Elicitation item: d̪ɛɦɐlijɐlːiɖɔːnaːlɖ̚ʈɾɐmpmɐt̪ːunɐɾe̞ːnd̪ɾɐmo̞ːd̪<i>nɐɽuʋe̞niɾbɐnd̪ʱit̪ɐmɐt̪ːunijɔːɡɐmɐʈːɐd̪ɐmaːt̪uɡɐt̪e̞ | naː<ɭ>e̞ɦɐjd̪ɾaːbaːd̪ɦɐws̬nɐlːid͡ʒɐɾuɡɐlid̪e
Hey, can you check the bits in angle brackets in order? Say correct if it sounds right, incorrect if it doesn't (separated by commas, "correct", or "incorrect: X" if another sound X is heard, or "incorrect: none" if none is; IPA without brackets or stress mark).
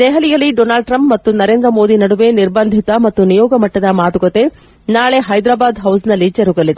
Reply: correct, correct